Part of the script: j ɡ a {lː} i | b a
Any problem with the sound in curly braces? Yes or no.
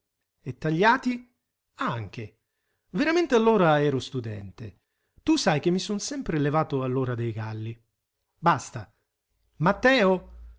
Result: no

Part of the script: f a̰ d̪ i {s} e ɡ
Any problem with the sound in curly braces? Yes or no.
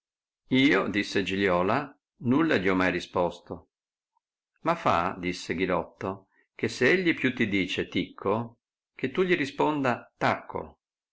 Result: yes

